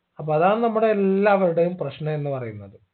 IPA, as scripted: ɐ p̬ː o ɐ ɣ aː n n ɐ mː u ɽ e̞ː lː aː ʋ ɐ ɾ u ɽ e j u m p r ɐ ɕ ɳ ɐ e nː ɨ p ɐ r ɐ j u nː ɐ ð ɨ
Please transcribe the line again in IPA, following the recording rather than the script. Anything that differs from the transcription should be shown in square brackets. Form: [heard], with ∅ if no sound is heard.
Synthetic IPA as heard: ɐ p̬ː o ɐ [ð] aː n n ɐ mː u ɽ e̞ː lː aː ʋ ɐ ɾ u ɽ e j u m p r ɐ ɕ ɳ ɐ e nː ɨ p ɐ r ɐ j u nː ɐ ð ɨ